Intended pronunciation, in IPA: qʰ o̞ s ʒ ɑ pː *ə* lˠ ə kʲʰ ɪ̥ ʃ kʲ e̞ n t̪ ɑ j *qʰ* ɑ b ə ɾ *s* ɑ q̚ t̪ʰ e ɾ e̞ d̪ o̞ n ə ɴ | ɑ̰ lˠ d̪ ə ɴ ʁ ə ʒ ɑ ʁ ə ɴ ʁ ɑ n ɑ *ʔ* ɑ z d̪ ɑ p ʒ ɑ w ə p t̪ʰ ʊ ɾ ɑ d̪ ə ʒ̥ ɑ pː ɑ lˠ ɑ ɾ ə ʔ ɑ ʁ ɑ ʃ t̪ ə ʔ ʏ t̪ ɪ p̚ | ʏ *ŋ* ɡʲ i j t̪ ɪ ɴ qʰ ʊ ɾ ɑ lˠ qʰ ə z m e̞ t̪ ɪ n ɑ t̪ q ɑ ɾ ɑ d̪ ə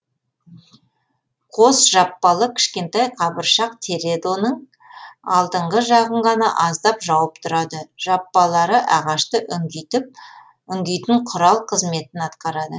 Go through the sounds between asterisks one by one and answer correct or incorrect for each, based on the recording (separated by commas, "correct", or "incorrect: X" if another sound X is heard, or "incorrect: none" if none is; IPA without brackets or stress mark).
incorrect: ɑ, correct, incorrect: ʃ, correct, correct